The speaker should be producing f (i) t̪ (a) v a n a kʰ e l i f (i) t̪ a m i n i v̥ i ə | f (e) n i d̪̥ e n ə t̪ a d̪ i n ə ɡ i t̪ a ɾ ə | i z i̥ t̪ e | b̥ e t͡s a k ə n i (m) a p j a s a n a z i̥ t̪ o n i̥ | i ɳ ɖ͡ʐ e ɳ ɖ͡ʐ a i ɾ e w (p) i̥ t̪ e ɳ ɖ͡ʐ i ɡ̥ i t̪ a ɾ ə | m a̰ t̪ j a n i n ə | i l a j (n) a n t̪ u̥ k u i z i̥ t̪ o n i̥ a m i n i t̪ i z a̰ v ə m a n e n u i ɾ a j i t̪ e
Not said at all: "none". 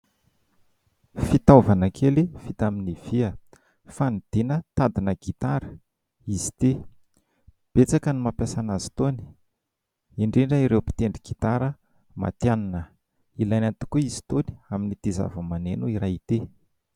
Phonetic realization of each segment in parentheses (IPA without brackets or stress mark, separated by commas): i, a, i, a, m, p, n